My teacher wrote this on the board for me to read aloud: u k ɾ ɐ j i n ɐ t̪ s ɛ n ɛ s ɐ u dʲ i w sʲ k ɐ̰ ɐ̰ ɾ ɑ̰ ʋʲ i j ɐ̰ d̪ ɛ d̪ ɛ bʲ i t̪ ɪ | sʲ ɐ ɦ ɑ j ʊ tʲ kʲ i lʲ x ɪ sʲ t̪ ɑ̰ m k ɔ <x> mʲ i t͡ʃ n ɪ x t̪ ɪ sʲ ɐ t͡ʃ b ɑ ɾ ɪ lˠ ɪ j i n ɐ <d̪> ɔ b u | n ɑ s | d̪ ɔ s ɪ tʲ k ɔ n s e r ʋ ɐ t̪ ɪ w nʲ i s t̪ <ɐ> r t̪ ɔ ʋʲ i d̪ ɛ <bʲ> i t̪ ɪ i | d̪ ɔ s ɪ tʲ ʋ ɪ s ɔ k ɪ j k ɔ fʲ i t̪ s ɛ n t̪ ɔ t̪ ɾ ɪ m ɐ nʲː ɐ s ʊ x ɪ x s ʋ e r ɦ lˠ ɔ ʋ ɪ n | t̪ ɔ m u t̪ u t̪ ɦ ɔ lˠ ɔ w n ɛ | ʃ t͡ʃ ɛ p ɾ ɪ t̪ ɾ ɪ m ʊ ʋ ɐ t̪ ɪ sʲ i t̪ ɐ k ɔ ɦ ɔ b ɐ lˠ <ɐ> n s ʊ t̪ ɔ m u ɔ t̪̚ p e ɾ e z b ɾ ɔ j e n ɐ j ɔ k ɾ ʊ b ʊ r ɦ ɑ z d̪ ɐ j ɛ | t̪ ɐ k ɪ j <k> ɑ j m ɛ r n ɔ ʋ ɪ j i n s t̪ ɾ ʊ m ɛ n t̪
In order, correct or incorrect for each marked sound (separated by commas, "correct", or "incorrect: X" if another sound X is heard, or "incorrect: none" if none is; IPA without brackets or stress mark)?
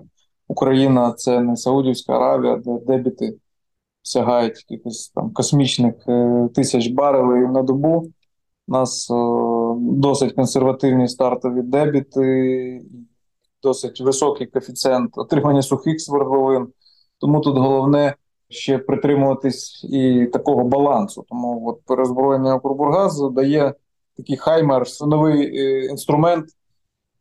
incorrect: s, correct, incorrect: ɑ, correct, incorrect: ɑ, incorrect: x